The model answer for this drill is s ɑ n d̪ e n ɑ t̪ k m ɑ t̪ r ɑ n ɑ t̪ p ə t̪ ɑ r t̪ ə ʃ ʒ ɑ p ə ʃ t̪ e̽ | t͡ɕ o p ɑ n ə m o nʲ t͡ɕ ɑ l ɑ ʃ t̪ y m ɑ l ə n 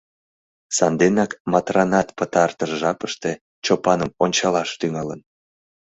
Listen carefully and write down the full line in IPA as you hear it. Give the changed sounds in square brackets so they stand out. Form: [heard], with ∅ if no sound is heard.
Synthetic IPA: s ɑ n d̪ e n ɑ [∅] k m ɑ t̪ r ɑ n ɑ t̪ p ə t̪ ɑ r t̪ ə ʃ ʒ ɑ p ə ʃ t̪ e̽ | t͡ɕ o p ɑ n ə m o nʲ t͡ɕ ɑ l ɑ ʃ t̪ y [ŋ] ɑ l ə n